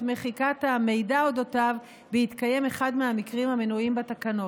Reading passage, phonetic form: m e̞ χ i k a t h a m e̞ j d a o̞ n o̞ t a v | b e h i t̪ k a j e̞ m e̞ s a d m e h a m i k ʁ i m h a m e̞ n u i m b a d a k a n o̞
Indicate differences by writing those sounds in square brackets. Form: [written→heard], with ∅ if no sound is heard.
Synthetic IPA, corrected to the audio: m e̞ χ i k a t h a m e̞ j d a o̞ [n→d] o̞ t a v | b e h i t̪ k a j e̞ m e̞ [s→χ] a d m e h a m i k ʁ i m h a m e̞ n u i m b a [d→t] a k a n o̞